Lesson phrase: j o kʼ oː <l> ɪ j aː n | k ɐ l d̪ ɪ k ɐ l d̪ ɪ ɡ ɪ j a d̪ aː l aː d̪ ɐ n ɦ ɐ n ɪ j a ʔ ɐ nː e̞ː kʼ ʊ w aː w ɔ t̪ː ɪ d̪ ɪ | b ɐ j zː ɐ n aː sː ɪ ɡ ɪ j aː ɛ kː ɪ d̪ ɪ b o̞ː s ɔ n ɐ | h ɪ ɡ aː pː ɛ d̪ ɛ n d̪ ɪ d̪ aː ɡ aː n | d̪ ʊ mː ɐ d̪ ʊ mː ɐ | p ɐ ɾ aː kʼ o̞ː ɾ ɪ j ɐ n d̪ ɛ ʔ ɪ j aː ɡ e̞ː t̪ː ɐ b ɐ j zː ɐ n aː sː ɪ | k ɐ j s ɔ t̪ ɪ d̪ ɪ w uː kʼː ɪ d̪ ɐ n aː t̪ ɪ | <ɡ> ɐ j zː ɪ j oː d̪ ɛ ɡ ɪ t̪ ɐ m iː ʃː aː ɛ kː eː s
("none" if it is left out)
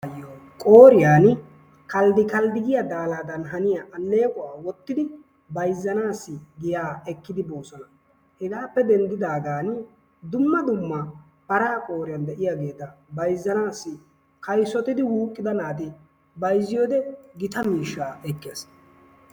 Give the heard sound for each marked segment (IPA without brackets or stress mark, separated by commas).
ɾ, b